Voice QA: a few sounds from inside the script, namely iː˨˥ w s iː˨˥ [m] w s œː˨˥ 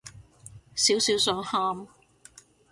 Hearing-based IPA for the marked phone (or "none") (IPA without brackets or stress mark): none